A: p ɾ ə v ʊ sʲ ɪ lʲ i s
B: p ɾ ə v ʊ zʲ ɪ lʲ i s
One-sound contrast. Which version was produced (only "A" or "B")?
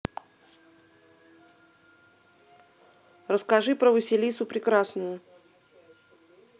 A